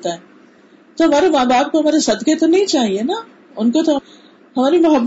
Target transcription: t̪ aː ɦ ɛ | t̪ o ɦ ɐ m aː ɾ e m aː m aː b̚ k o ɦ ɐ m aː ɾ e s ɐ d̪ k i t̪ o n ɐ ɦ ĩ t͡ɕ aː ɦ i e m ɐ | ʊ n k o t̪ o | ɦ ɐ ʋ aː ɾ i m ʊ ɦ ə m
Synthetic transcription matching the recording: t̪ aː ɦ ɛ | t̪ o ɦ ɐ m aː ɾ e m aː b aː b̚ k o ɦ ɐ m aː ɾ e s ɐ d̪ k e t̪ o n ɐ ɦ ĩ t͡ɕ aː ɦ i e n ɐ | ʊ n k o t̪ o | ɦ ɐ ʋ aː ɾ i m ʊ ɦ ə b